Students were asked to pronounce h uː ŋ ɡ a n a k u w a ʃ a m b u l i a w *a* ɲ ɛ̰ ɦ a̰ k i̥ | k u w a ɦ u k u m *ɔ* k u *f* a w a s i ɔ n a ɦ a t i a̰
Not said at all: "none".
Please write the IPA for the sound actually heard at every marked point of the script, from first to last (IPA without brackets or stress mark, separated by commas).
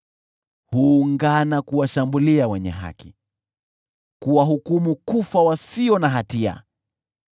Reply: ɛ, u, f